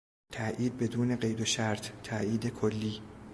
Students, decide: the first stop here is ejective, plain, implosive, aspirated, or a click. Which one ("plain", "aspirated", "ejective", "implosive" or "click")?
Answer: aspirated